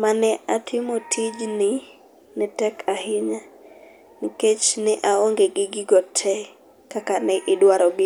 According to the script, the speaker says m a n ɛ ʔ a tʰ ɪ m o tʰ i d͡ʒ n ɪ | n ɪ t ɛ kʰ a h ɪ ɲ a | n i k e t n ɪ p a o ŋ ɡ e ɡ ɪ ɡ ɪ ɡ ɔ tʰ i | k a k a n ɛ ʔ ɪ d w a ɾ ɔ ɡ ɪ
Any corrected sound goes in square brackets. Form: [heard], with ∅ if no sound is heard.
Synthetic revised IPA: m a n ɛ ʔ a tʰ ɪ m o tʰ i d͡ʒ n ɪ | n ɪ t ɛ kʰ a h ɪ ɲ a | n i k e [t͡ʃ] n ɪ [ʔ] a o ŋ ɡ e ɡ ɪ ɡ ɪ ɡ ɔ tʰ [ɛ] | k a k a n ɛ ʔ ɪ d w a ɾ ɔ ɡ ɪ